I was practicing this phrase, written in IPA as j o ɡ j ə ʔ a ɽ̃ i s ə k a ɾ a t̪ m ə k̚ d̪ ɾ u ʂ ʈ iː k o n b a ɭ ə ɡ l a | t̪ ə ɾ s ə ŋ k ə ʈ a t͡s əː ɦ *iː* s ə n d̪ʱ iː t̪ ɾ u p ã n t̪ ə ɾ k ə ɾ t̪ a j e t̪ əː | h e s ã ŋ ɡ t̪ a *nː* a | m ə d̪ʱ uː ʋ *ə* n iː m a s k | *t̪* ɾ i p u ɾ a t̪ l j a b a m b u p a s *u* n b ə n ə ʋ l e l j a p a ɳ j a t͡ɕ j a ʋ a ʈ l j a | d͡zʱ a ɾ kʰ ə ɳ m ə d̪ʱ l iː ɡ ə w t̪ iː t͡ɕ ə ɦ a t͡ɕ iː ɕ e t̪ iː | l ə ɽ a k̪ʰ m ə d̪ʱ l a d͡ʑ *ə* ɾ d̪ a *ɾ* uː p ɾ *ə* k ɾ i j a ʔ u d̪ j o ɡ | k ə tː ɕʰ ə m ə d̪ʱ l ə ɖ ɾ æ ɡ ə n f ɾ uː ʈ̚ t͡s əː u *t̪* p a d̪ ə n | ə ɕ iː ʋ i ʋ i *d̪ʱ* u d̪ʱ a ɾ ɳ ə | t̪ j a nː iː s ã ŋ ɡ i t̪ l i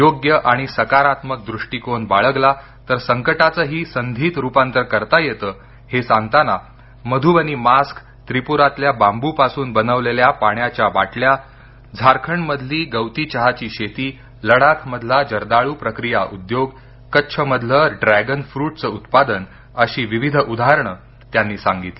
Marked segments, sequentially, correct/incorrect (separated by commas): correct, incorrect, correct, correct, incorrect, correct, incorrect, correct, correct, correct